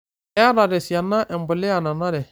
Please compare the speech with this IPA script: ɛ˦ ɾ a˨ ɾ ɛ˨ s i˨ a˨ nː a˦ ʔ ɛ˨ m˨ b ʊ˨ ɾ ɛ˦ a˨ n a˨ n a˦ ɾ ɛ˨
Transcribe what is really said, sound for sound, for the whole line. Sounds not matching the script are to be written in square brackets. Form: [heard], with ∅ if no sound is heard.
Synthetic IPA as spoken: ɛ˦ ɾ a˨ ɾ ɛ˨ s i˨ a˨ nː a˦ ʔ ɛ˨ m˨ b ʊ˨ [l] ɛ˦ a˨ n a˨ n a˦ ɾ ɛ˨